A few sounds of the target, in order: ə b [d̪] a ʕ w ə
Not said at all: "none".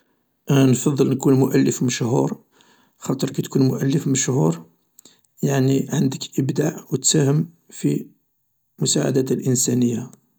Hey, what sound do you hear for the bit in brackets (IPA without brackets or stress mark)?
d̪